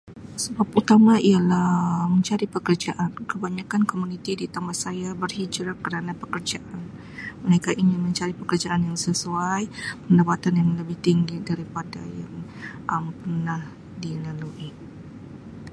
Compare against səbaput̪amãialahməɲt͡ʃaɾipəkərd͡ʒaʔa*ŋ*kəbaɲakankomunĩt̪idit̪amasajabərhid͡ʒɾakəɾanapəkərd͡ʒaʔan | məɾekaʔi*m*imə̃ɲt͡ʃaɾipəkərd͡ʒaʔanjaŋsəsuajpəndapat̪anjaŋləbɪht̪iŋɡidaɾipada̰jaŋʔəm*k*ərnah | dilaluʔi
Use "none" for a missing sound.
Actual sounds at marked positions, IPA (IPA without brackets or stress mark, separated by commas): n, n, p